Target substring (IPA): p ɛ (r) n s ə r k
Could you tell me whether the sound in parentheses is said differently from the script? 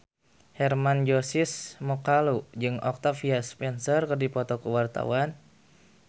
yes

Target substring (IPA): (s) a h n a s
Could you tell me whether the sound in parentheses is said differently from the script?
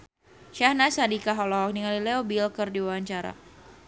yes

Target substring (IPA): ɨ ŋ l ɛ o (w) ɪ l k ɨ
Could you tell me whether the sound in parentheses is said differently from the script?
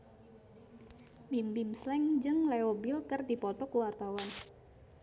yes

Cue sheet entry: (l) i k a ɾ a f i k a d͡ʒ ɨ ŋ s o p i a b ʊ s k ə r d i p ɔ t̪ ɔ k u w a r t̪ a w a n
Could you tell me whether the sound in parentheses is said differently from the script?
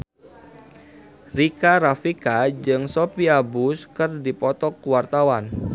yes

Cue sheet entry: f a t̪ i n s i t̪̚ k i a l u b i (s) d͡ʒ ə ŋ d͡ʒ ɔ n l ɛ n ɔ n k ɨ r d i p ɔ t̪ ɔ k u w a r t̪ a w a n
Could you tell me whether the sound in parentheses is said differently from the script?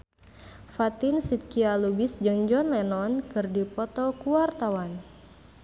no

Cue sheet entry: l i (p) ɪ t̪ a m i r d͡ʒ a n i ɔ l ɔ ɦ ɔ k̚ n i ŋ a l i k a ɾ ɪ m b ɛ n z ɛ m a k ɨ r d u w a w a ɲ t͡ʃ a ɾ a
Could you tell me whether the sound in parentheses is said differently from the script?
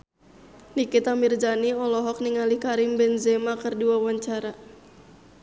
yes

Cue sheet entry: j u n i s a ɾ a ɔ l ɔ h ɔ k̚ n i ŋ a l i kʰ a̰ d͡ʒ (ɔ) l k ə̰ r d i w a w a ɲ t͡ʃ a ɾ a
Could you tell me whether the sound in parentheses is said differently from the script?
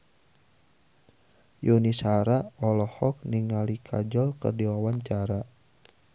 no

